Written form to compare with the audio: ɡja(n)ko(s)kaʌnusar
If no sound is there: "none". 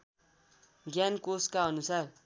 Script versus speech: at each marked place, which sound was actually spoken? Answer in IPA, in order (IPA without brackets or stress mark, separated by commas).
n, s